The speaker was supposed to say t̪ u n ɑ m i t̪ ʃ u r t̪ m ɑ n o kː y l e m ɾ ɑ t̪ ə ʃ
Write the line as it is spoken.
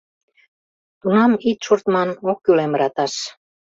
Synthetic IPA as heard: t̪ u n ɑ m i t̪ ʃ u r t̪ m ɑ n o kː y l e m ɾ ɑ t̪ ɑ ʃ